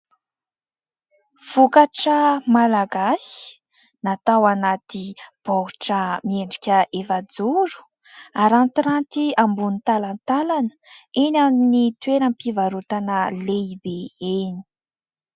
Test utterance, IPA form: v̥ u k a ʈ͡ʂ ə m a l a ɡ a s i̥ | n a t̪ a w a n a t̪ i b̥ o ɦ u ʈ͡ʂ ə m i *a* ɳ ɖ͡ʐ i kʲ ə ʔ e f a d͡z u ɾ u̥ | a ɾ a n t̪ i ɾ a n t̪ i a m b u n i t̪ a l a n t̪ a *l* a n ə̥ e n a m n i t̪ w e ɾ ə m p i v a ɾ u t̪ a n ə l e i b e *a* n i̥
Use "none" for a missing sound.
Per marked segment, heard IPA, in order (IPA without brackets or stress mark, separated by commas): e, l, e